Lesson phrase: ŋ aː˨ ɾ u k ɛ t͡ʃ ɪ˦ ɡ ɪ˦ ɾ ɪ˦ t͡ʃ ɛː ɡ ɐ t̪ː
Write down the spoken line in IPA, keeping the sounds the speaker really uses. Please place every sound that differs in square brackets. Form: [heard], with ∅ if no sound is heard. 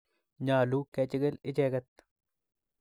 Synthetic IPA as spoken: [ɲ] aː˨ [l] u k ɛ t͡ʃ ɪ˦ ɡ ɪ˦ [l] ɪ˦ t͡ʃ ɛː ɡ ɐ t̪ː